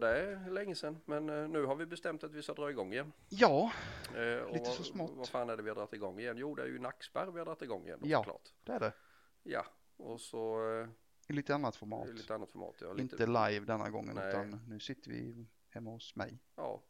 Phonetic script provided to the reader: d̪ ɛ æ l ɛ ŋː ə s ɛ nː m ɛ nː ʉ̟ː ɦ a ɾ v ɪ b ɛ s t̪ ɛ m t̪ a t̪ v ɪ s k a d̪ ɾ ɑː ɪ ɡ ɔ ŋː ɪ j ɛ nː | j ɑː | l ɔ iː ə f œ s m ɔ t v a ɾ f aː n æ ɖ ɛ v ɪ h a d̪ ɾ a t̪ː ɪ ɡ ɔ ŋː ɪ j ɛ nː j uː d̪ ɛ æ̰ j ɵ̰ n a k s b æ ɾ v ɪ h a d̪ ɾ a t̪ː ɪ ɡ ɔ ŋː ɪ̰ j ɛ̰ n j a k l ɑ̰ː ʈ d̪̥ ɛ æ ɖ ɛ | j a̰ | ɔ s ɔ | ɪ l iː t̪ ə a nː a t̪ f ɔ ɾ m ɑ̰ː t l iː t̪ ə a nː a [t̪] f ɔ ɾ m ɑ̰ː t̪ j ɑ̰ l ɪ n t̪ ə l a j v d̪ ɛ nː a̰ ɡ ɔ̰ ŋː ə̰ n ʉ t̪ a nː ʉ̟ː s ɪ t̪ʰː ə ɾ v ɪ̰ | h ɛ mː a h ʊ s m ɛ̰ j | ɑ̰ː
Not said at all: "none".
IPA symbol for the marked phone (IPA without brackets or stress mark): t̪